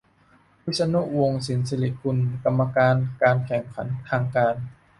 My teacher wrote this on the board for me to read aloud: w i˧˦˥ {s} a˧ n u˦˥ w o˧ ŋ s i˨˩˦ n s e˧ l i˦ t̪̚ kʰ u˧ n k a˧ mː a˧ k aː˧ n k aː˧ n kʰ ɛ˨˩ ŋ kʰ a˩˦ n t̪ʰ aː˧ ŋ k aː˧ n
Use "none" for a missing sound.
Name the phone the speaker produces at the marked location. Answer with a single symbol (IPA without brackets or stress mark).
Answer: s